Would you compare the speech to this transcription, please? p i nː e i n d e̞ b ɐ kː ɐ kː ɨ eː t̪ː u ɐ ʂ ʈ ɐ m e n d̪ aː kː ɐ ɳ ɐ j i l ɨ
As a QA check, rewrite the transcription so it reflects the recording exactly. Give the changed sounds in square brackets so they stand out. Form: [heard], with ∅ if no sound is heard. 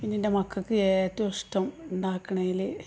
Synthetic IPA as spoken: p i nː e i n d e̞ [m] ɐ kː ɐ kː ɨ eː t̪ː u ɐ ʂ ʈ ɐ m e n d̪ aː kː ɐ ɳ ɐ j i l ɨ